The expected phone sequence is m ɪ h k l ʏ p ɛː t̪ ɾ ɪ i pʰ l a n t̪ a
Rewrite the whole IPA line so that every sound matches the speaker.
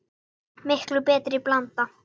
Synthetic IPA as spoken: m ɪ h k l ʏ p ɛː t̪ ɾ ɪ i p l a n t̪ a